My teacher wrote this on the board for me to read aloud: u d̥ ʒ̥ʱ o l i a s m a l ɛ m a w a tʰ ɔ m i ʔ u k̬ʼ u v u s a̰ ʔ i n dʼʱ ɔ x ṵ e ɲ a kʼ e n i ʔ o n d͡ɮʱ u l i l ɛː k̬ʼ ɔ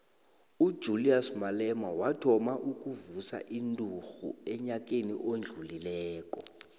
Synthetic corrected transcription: u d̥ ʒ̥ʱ u l i a s m a l ɛ m a w a tʰ ɔ m a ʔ u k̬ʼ u v u s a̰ ʔ i n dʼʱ u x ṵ ɛ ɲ a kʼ e n i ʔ o n d͡ɮʱ u l i l ɛː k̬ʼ ɔ